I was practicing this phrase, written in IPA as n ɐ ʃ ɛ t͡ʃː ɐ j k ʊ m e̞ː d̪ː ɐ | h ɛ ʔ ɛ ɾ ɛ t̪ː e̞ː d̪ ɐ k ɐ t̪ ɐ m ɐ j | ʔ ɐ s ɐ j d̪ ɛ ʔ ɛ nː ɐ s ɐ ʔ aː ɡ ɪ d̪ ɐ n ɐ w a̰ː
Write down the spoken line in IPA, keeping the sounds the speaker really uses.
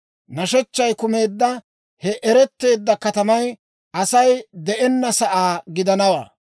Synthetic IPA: n ɐ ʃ ɛ t͡ʃː ɐ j k ʊ m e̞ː d̪ː ɐ | h ɛ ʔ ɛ ɾ ɛ t̪ː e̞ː d̪ː ɐ k ɐ t̪ ɐ m ɐ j | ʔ ɐ s ɐ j d̪ ɛ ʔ ɛ nː ɐ s ɐ ʔ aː ɡ ɪ d̪ ɐ n ɐ w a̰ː